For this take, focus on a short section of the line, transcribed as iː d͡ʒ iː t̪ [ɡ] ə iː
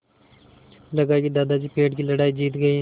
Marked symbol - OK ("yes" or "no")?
yes